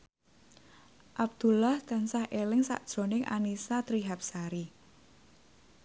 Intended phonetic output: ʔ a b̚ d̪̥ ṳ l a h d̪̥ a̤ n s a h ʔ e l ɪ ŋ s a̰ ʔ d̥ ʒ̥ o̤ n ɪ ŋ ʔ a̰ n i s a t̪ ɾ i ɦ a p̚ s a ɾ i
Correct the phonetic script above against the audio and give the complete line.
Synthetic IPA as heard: ʔ a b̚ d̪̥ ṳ l a h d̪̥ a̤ n s a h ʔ e l ɪ ŋ s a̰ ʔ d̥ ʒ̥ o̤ n ɪ ŋ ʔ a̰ n i s a t̪ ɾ i ɦ a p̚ s a ɾ i